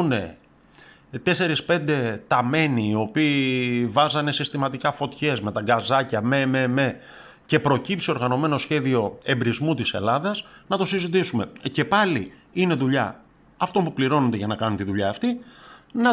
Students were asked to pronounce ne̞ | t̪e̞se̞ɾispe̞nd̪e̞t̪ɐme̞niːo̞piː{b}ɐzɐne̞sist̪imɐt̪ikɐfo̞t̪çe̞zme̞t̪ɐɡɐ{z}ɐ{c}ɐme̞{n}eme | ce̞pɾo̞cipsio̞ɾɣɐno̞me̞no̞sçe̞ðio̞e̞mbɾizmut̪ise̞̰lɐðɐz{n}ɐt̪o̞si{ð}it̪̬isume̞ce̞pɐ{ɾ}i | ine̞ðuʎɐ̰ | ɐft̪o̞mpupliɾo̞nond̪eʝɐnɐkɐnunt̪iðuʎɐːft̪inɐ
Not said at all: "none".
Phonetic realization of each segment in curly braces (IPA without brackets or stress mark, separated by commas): v, z, c, m, n, z, l